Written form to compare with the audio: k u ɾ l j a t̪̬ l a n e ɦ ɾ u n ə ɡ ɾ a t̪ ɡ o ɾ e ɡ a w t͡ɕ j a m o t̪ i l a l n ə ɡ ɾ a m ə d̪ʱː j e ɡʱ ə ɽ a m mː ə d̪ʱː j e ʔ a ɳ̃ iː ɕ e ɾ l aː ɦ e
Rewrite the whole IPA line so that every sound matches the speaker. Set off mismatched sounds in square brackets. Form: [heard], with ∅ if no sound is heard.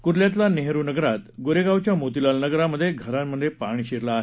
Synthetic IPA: k u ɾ l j a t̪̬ l a n e ɦ ɾ u n ə ɡ ɾ a t̪ ɡ o ɾ e ɡ a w t͡ɕ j a m o t̪ i l a l n ə ɡ ɾ a m ə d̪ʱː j e ɡʱ ə [ɾ] a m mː ə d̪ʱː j e [p] a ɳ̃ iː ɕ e ɾ l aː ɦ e